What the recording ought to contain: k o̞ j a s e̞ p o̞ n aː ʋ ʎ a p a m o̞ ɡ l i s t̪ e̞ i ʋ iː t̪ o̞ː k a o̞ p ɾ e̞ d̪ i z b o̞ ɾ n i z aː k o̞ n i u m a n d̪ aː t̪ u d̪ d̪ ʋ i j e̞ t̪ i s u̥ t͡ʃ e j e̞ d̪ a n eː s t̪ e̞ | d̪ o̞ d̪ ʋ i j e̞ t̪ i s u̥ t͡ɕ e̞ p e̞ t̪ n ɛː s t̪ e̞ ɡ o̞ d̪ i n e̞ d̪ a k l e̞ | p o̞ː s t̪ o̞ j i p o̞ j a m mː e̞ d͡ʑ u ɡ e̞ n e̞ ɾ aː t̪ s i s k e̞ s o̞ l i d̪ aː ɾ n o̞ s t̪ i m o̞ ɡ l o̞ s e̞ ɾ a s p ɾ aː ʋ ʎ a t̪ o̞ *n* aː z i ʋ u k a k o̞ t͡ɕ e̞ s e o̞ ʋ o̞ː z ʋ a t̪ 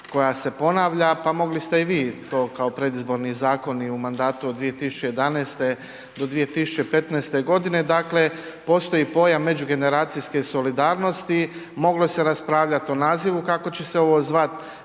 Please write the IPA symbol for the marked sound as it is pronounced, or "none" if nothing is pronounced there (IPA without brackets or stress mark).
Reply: n